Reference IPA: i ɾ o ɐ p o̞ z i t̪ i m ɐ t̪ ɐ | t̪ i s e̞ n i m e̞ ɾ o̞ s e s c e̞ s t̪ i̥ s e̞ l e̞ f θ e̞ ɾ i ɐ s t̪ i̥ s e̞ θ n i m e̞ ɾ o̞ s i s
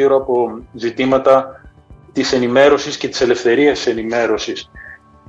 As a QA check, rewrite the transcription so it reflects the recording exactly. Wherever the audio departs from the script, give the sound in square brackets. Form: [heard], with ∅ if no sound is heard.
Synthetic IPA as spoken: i ɾ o ɐ p o̞ z i t̪ i m ɐ t̪ ɐ | t̪ i s e̞ n i m e̞ ɾ o̞ s [i] s c e̞ [∅] t̪ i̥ s e̞ l e̞ f θ e̞ ɾ i ɐ s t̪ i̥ s e̞ [∅] n i m e̞ ɾ o̞ s i s